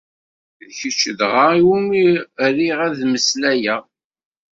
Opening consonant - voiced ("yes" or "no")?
yes